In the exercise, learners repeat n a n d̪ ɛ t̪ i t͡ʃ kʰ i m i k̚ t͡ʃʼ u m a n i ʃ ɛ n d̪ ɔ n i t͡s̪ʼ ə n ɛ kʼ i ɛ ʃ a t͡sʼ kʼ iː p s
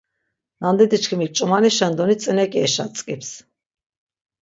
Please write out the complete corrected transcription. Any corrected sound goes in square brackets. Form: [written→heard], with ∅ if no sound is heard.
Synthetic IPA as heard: n a n d̪ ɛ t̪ i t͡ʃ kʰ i m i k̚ t͡ʃʼ u m a n i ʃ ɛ n d̪ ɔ n i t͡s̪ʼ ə n ɛ kʼ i ɛ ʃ a t͡sʼ kʼ [iː→i] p s